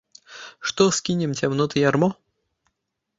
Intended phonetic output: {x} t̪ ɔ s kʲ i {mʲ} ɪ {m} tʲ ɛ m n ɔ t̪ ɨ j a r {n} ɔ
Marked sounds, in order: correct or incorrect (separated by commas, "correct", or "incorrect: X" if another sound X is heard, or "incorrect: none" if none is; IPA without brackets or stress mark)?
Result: incorrect: ʂ, incorrect: nʲ, correct, incorrect: m